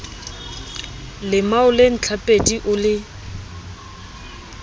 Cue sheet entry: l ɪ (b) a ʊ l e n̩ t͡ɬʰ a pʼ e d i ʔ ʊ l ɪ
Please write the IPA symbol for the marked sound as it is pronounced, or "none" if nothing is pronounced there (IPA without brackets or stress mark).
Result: m